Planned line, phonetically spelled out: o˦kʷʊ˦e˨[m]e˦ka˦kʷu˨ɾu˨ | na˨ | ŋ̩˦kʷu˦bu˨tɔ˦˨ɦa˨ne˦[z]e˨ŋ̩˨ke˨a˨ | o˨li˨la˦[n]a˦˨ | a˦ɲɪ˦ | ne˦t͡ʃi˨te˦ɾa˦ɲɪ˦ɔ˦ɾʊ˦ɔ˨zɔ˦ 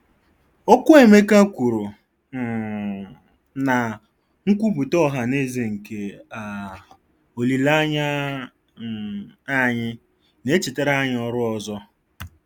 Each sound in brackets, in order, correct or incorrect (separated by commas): correct, correct, incorrect